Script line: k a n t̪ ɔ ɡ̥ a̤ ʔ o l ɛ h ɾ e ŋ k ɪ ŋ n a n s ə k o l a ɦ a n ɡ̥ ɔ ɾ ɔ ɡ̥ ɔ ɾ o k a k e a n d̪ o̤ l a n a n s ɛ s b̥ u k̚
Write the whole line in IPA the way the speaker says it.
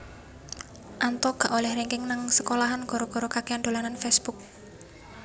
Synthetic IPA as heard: ʔ a n t̪ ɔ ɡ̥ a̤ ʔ o l ɛ h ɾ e ŋ k ɪ ŋ n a ŋ s ə k o l a ɦ a n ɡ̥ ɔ ɾ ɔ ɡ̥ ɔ ɾ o k a k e a n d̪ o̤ l a n a n f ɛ s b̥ u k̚